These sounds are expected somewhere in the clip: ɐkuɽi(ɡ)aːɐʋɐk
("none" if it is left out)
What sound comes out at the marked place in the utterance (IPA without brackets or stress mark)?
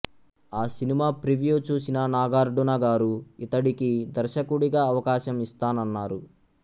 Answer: ɡ